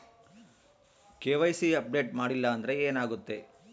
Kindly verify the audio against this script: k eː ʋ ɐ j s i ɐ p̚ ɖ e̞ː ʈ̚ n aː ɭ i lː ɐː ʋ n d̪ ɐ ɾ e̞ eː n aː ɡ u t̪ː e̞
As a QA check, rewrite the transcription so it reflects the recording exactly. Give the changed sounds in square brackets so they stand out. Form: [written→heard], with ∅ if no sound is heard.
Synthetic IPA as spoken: k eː ʋ ɐ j s i ɐ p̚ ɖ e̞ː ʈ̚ [n→m] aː [ɭ→ɽ] i lː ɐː [ʋ→∅] n d̪ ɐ ɾ e̞ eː n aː ɡ u t̪ː e̞